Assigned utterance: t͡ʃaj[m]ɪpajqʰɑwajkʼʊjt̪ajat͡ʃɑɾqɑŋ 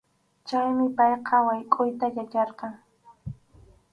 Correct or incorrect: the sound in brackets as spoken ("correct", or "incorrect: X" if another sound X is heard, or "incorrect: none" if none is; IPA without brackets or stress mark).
correct